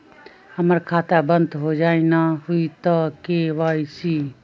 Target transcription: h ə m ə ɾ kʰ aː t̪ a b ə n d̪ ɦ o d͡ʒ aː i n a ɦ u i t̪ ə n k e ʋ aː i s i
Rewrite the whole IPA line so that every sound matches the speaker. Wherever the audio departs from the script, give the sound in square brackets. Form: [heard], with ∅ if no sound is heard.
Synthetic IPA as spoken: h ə m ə ɾ kʰ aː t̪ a b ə n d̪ ɦ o d͡ʒ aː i n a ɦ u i t̪ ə [∅] k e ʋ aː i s i